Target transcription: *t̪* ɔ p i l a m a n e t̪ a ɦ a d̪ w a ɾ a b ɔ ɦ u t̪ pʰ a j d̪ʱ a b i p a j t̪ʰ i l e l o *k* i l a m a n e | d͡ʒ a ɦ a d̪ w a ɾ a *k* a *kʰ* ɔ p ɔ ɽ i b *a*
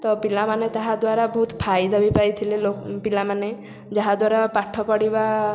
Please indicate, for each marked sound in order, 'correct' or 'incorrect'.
correct, incorrect: p, incorrect: p, incorrect: ʈʰ, correct

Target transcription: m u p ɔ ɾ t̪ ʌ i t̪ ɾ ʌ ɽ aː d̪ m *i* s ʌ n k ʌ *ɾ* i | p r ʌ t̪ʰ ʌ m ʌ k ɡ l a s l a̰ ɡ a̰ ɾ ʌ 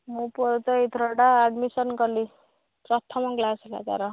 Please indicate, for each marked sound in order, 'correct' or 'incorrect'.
correct, incorrect: l

